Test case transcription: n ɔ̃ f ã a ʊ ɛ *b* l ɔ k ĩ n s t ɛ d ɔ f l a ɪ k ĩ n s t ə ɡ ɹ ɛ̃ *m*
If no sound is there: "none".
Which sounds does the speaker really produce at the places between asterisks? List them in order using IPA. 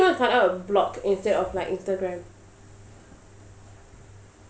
b, m

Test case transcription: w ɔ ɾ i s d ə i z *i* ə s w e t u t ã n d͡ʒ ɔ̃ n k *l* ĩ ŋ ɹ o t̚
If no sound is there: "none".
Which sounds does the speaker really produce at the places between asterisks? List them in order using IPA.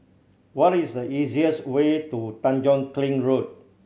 i, l

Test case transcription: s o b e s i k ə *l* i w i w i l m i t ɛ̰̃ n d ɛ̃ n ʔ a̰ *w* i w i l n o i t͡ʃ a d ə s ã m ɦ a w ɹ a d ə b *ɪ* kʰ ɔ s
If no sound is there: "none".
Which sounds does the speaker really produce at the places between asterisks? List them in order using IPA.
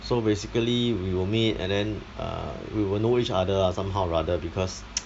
l, w, i

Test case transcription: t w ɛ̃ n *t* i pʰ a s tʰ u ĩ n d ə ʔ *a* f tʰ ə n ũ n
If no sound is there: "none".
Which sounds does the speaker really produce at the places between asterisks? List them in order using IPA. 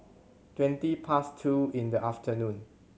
t, a

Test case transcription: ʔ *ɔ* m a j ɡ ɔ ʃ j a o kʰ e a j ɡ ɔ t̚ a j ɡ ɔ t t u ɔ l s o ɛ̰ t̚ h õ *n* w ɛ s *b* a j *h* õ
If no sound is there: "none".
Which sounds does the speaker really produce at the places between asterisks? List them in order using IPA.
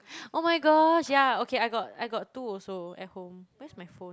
o, m, m, f

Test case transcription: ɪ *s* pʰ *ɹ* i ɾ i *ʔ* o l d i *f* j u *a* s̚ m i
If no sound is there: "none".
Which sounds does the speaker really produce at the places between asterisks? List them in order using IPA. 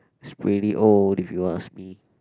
s, ɹ, ʔ, f, a

